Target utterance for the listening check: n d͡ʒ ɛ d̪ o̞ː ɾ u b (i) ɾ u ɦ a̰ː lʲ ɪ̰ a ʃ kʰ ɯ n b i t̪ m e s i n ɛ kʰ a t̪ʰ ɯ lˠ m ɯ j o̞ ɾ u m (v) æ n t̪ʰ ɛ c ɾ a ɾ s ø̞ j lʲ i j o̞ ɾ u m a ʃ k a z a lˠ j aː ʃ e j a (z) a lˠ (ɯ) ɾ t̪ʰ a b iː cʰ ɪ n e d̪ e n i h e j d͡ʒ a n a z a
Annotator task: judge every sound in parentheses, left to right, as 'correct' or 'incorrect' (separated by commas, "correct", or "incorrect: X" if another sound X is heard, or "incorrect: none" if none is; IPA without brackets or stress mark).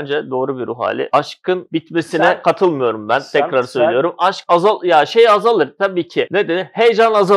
correct, incorrect: b, correct, correct